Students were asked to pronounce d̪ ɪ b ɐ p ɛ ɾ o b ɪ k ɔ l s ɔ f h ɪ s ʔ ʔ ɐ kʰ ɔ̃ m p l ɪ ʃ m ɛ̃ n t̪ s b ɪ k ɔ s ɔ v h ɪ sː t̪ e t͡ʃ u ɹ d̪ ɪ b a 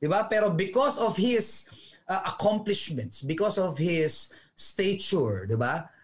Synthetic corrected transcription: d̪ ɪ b a p ɛ ɾ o b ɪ k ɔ s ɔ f h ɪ s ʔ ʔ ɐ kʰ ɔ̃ m p l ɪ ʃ m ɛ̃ n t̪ s b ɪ k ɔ s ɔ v h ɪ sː t̪ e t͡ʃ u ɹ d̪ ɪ b a